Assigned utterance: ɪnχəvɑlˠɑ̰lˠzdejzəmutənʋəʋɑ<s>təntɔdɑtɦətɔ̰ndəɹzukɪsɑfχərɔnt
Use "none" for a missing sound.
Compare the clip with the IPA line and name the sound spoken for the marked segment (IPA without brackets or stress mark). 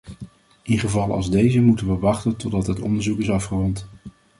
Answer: χ